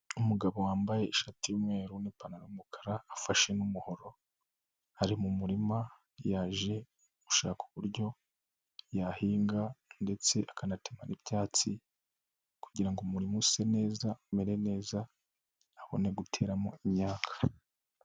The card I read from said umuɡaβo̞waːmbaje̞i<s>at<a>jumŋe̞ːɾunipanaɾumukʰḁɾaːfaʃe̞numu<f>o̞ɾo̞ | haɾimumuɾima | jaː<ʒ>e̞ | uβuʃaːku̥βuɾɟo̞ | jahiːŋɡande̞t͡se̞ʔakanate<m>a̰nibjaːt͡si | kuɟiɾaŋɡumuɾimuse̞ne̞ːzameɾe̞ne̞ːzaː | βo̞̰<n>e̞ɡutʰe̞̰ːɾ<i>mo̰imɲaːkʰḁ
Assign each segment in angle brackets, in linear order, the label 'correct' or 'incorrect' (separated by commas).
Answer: incorrect, incorrect, incorrect, correct, correct, correct, incorrect